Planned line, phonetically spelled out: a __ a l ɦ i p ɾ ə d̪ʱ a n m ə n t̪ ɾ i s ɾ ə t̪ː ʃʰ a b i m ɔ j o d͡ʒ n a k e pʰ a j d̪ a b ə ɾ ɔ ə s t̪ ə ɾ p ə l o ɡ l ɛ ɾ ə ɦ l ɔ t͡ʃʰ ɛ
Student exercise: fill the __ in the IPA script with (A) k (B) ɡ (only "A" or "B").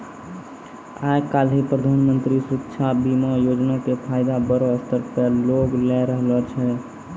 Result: A